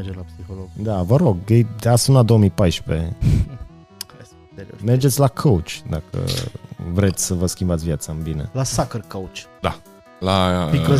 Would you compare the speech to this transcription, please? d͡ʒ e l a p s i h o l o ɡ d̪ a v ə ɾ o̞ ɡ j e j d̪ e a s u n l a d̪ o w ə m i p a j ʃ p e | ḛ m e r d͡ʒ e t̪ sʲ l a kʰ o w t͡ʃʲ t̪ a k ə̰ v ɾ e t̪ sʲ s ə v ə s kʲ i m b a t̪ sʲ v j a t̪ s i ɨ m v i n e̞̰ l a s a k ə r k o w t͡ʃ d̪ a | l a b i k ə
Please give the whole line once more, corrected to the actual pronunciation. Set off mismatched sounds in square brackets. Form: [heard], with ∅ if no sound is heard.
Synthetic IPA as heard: d͡ʒ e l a p s i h o l o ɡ d̪ a v ə ɾ o̞ ɡ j e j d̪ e a s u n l a d̪ o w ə m i p a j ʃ p e | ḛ m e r d͡ʒ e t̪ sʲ l a kʰ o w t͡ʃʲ [d̪] a k ə̰ v ɾ e t̪ sʲ s ə v ə s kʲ i m b a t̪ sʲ v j a t̪ s [a] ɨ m [b] i n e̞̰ l a s a k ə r k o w t͡ʃ d̪ a | l a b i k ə